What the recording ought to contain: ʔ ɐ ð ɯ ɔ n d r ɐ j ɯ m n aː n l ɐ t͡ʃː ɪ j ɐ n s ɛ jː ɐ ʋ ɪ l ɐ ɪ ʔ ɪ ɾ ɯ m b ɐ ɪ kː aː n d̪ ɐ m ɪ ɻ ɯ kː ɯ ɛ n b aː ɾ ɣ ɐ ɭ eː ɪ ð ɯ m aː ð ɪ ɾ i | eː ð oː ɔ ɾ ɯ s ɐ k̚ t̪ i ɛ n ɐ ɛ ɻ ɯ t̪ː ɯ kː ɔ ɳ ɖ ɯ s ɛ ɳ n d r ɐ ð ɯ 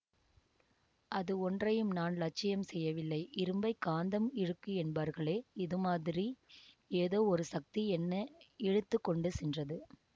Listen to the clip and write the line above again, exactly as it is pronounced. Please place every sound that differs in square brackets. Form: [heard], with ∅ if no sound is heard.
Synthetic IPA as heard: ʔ ɐ ð ɯ ɔ n d r ɐ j ɯ m n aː n l ɐ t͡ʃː ɪ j ɐ [m] s ɛ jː ɐ ʋ ɪ [lː] ɐ ɪ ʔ ɪ ɾ ɯ m b ɐ ɪ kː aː n d̪ ɐ m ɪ ɻ ɯ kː ɯ ɛ n b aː ɾ ɣ ɐ ɭ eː ɪ ð ɯ m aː ð ɪ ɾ i | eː ð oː ɔ ɾ ɯ s ɐ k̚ t̪ i ɛ [nː] ɐ ɛ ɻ ɯ t̪ː ɯ kː ɔ ɳ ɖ ɯ s ɛ [∅] n d r ɐ ð ɯ

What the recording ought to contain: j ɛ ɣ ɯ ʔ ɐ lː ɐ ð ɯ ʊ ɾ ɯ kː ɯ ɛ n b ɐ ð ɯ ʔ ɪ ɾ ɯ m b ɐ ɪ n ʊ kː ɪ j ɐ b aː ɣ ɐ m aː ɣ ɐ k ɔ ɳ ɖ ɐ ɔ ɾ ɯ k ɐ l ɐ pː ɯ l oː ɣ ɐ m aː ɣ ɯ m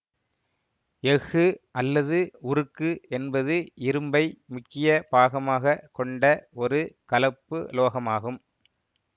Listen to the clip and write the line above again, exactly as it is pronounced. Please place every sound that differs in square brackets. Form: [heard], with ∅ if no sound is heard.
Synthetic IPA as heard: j ɛ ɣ ɯ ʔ ɐ lː ɐ ð ɯ ʊ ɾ ɯ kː ɯ ɛ n b ɐ ð ɯ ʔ ɪ ɾ ɯ m b ɐ ɪ [m] ʊ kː ɪ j ɐ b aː ɣ ɐ m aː ɣ ɐ k ɔ ɳ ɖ ɐ ɔ ɾ ɯ k ɐ l ɐ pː ɯ l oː ɣ ɐ m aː ɣ ɯ m

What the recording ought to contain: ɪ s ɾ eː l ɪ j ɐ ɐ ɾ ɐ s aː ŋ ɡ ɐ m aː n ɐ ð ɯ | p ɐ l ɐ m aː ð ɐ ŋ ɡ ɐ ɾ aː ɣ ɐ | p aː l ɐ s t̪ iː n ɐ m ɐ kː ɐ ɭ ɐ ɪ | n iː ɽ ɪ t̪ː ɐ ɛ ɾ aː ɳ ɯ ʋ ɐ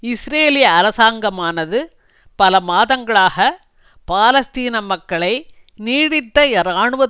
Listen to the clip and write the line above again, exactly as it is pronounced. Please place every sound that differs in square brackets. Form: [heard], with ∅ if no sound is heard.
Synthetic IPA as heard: ɪ s ɾ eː l ɪ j ɐ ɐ ɾ ɐ s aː ŋ ɡ ɐ m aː n ɐ ð ɯ | p ɐ l ɐ m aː ð ɐ ŋ ɡ ɐ [ɭ] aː ɣ ɐ | p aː l ɐ s t̪ iː n ɐ m ɐ kː ɐ ɭ ɐ ɪ | n iː ɽ ɪ t̪ː ɐ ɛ ɾ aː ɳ ɯ ʋ ɐ

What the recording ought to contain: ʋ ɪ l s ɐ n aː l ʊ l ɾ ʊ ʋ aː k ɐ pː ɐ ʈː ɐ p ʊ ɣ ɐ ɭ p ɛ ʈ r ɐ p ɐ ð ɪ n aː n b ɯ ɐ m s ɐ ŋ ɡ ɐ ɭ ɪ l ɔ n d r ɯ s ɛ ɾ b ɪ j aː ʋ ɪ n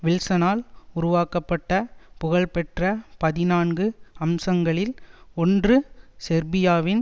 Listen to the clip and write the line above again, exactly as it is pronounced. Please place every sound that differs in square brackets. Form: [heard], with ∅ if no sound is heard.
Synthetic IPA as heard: ʋ ɪ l s ɐ n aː l ʊ [∅] ɾ ʊ ʋ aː k ɐ pː ɐ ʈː ɐ p ʊ ɣ ɐ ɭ p ɛ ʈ r ɐ p ɐ ð ɪ n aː n [ɡ] ɯ ɐ m s ɐ ŋ ɡ ɐ ɭ ɪ l ɔ n d r ɯ s ɛ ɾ b ɪ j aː ʋ ɪ n

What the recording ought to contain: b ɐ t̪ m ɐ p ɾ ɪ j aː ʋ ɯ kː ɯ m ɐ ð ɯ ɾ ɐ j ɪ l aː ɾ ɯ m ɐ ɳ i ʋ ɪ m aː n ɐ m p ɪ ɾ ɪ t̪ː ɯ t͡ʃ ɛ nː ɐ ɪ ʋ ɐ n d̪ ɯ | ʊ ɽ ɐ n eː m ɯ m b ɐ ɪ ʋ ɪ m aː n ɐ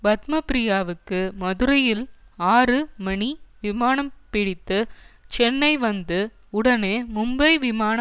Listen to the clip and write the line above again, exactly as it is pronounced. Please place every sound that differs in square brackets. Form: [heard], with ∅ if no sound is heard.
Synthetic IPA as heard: b ɐ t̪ m ɐ p ɾ ɪ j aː ʋ ɯ kː ɯ m ɐ ð ɯ ɾ ɐ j ɪ l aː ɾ ɯ m ɐ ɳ i ʋ ɪ m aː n ɐ m p ɪ [ɽ] ɪ t̪ː ɯ t͡ʃ ɛ nː ɐ ɪ ʋ ɐ n d̪ ɯ | ʊ ɽ ɐ n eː m [ʊ] m b ɐ ɪ ʋ ɪ m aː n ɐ

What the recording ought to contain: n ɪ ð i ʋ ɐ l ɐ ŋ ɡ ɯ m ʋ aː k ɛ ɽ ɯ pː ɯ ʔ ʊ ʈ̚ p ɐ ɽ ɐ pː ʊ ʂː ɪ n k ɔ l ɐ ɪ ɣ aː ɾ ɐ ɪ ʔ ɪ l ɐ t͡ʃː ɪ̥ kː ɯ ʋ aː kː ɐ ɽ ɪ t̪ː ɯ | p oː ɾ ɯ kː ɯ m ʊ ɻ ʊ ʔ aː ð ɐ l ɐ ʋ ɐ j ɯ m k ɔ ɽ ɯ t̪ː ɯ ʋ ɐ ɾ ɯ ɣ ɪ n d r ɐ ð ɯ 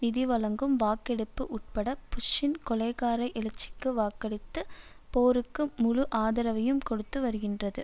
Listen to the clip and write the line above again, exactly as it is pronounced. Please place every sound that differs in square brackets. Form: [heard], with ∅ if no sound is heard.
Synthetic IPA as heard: n ɪ ð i ʋ ɐ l ɐ ŋ ɡ ɯ m ʋ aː k ɛ ɽ ɯ pː ɯ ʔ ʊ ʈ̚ p ɐ ɽ ɐ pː ʊ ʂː ɪ n k ɔ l ɐ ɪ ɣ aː ɾ ɐ ɪ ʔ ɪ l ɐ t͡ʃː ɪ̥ kː ɯ ʋ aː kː ɐ ɽ ɪ t̪ː ɯ | p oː ɾ ɯ kː ɯ m ʊ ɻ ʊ ʔ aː ð ɐ [ɾ] ɐ ʋ ɐ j ɯ m k ɔ ɽ ɯ t̪ː ɯ ʋ ɐ ɾ ɯ ɣ ɪ n d r ɐ ð ɯ

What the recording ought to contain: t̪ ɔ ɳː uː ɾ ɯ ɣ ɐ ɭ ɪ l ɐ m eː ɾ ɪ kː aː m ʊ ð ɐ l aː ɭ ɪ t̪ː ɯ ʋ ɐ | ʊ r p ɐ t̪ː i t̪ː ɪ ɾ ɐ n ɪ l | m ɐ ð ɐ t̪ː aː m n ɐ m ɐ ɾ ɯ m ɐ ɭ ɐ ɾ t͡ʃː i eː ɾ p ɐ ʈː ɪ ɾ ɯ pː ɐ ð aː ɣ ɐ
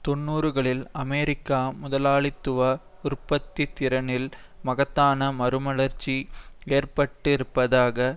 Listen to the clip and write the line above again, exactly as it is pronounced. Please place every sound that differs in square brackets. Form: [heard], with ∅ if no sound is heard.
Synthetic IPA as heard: t̪ ɔ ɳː uː ɾ ɯ ɣ ɐ ɭ ɪ l ɐ m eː ɾ ɪ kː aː m ʊ ð ɐ l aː ɭ ɪ t̪ː ɯ ʋ ɐ | ʊ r p ɐ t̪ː i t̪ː ɪ ɾ ɐ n ɪ l | m ɐ [ɣ] ɐ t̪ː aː [∅] n ɐ m ɐ ɾ ɯ m ɐ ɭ ɐ ɾ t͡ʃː i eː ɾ p ɐ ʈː ɪ ɾ ɯ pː ɐ ð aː ɣ ɐ

